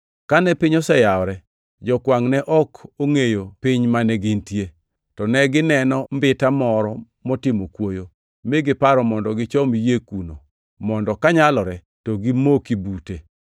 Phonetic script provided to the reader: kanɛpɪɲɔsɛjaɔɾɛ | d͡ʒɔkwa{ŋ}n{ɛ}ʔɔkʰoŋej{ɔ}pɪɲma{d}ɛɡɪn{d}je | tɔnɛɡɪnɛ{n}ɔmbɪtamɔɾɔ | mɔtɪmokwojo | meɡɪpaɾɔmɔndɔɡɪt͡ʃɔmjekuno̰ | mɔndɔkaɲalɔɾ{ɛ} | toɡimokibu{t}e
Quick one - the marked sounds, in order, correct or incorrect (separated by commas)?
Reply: correct, correct, incorrect, incorrect, incorrect, correct, correct, correct